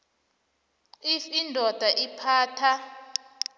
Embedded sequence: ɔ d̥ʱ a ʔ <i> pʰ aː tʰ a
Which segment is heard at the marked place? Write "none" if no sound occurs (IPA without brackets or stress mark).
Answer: i